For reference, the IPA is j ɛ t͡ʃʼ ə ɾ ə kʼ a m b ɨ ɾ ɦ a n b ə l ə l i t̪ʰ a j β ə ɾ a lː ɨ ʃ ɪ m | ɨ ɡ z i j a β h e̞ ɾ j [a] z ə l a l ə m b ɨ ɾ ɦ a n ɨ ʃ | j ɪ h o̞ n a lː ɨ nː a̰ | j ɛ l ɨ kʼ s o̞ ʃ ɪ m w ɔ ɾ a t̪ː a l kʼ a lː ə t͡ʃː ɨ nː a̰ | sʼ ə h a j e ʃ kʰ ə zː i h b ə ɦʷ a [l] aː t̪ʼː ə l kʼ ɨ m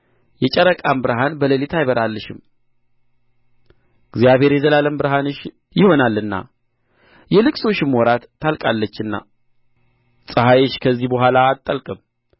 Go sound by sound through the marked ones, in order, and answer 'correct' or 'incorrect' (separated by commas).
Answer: incorrect, correct